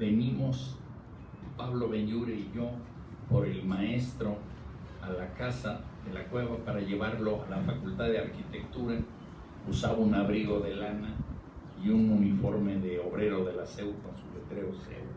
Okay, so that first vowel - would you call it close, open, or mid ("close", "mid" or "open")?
mid